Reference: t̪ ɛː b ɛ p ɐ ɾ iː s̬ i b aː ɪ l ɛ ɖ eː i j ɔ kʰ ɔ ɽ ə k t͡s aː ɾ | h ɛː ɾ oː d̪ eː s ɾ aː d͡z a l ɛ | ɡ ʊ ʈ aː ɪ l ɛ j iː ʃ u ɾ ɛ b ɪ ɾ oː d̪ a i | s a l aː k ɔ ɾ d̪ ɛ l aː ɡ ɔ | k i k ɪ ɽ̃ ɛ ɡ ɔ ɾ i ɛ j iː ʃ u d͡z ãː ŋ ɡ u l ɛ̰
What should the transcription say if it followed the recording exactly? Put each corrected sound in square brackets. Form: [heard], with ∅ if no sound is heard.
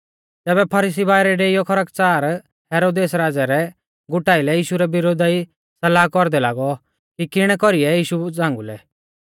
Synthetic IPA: t̪ ɛː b ɛ [pʰ] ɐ ɾ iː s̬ i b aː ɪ [ɾ] ɛ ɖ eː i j ɔ kʰ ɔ [ɾ] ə k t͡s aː ɾ | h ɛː ɾ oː d̪ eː s ɾ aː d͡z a [ɾ] ɛ | ɡ ʊ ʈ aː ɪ l ɛ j iː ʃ u ɾ ɛ b ɪ ɾ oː d̪ a i | s [ɐ] l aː k ɔ ɾ d̪ ɛ l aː ɡ ɔ | k i k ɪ ɽ̃ ɛ [k] ɔ ɾ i ɛ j iː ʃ u d͡z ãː ŋ ɡ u l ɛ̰